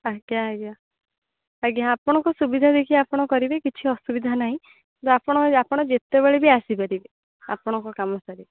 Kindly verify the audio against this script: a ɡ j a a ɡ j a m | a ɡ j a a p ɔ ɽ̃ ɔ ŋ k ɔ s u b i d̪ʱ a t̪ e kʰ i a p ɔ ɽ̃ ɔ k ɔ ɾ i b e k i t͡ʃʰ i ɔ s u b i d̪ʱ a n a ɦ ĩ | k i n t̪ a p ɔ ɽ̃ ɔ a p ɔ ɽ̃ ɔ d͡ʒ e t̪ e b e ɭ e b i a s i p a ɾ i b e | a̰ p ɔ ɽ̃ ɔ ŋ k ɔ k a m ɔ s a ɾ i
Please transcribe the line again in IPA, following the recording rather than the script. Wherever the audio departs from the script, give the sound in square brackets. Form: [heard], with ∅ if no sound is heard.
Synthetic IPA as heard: a ɡ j a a ɡ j a [∅] | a ɡ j a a p ɔ ɽ̃ ɔ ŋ k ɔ s u b i d̪ʱ a [d̪] e kʰ i a p ɔ ɽ̃ ɔ k ɔ ɾ i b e k i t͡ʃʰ i ɔ s u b i d̪ʱ a n a ɦ ĩ | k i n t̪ a p ɔ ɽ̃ ɔ a p ɔ ɽ̃ ɔ d͡ʒ e t̪ e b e ɭ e b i a s i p a ɾ i b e | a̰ p ɔ ɽ̃ ɔ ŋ k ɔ k a m ɔ s a ɾ i